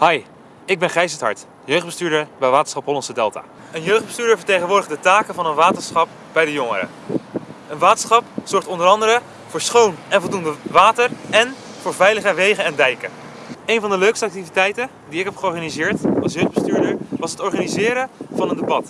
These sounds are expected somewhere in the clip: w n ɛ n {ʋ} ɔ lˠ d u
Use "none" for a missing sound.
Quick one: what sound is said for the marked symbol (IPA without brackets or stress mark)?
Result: v